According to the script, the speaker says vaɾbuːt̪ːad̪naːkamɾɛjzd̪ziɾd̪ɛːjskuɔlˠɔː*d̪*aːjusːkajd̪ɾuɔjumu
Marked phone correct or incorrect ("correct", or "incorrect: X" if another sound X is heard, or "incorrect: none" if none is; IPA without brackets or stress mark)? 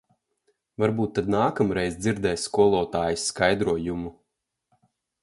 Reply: incorrect: t̪